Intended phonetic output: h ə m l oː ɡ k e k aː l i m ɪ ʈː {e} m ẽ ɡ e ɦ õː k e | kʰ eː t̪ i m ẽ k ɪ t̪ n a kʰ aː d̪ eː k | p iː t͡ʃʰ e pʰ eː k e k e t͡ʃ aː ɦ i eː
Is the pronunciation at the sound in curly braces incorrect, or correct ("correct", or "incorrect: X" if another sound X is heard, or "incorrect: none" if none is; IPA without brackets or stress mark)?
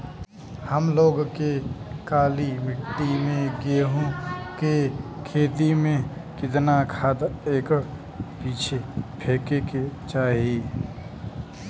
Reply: incorrect: i